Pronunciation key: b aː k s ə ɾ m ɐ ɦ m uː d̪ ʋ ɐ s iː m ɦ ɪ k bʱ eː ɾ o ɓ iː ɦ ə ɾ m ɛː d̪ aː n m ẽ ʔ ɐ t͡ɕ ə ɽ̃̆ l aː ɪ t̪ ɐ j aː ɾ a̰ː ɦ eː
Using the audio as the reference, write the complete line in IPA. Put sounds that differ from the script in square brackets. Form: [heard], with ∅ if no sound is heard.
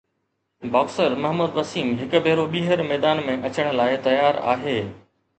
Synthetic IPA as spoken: b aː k s ə ɾ m ɐ ɦ m uː d̪ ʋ ɐ s iː m ɦ ɪ k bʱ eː ɾ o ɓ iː ɦ ə ɾ m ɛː d̪ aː n m ẽ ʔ ɐ t͡ɕ ə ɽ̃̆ l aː ɪ t̪ ɐ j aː ɾ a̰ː ɦ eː